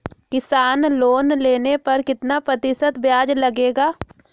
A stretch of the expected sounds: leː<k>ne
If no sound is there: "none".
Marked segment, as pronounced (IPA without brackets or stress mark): none